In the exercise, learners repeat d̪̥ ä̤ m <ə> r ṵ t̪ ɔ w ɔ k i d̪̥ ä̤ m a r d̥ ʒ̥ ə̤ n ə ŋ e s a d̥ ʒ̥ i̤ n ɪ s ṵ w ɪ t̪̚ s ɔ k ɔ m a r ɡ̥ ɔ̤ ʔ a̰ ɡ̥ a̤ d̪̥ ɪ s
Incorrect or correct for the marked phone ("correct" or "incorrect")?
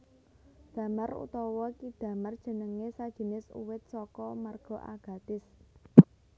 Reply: incorrect